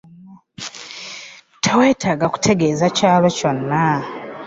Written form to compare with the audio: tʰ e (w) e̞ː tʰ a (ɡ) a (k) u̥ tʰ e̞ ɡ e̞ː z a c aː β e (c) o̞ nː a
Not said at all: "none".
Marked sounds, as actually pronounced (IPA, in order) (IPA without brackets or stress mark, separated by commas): w, ɡ, k, c